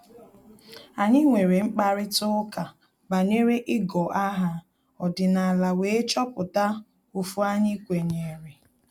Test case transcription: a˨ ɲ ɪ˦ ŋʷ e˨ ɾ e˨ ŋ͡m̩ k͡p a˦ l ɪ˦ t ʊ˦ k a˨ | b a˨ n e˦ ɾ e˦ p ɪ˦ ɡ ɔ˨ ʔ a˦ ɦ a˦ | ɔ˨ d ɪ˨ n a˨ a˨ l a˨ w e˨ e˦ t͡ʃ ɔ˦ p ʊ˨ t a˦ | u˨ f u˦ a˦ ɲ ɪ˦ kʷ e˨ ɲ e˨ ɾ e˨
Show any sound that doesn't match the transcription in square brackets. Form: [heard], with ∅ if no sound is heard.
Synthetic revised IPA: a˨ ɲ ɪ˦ ŋʷ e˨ ɾ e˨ ŋ͡m̩ k͡p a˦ [ɾ] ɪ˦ t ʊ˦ k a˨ | b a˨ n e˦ ɾ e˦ [ʔ] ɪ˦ ɡ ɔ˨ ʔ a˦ ɦ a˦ | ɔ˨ d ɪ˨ n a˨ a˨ l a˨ w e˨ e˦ t͡ʃ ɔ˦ p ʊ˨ t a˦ | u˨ f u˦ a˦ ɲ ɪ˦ kʷ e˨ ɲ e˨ ɾ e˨

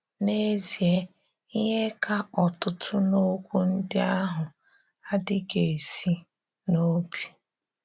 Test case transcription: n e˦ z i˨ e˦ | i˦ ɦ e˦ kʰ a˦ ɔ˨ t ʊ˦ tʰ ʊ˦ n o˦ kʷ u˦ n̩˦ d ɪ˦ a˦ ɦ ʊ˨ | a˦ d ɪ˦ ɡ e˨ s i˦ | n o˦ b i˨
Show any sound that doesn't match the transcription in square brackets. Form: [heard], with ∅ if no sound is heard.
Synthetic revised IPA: n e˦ z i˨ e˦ | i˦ ɦ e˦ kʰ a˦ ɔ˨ t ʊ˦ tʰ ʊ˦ n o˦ kʷ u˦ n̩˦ d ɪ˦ a˦ ɦ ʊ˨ | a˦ d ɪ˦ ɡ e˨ s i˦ | n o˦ b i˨

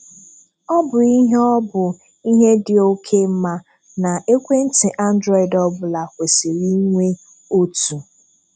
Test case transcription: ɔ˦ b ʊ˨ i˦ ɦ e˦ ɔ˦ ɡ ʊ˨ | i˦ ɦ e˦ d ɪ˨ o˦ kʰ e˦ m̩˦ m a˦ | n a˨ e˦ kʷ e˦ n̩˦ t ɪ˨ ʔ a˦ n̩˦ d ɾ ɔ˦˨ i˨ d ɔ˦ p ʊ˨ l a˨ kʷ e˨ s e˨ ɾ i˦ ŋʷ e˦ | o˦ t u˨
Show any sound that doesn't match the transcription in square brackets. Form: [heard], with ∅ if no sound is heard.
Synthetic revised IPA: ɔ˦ b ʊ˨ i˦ ɦ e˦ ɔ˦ [b] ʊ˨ | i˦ ɦ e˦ d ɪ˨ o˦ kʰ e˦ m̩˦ m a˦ | n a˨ e˦ kʷ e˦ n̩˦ t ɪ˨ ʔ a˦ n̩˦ d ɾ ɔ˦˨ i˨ d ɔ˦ [b] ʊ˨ l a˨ kʷ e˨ s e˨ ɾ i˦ ŋʷ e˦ | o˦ t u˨

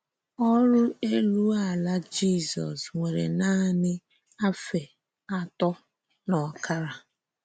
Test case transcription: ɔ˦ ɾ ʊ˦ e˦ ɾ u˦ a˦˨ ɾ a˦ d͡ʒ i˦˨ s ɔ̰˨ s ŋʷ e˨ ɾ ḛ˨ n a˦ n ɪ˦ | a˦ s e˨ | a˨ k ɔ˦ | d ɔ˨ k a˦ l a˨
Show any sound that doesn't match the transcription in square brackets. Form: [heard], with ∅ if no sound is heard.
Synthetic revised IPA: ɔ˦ ɾ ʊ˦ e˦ [l] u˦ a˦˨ [l] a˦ d͡ʒ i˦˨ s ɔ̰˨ s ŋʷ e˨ ɾ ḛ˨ n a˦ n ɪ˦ | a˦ [f] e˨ | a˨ [t] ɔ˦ | [n] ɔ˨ k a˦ [ɾ] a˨

